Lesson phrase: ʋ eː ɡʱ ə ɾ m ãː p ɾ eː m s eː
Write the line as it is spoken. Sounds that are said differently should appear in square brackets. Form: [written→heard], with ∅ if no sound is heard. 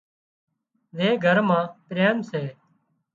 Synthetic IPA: ʋ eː ɡʱ ə ɾ m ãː p ɾ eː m s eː